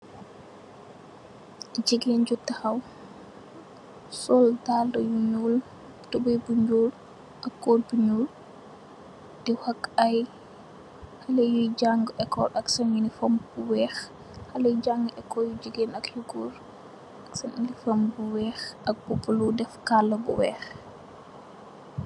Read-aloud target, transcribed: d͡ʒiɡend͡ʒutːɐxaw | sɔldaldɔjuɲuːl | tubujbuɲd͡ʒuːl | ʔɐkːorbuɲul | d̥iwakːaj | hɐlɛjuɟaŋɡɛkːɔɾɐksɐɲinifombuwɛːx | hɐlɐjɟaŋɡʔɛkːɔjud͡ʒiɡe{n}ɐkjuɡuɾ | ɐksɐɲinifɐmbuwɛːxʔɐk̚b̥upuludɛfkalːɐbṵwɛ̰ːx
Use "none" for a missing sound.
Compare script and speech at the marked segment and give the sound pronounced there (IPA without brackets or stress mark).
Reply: n